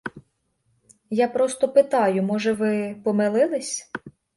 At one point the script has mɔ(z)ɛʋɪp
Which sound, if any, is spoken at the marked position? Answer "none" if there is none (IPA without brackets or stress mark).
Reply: ʒ